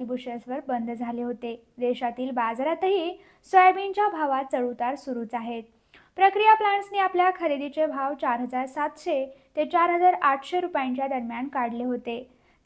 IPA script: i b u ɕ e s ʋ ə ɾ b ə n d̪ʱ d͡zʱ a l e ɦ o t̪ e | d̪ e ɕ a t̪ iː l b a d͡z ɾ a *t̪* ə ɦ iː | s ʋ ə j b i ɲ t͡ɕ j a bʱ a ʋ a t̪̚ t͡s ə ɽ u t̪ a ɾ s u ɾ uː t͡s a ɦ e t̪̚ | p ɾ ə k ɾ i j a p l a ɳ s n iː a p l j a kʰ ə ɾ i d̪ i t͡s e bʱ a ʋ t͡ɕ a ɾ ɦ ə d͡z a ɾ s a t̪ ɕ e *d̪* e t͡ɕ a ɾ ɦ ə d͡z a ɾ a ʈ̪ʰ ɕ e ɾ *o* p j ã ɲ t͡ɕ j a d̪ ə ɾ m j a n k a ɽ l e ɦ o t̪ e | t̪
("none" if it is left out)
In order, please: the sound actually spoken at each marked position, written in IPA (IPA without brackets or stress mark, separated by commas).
t̪, t̪, u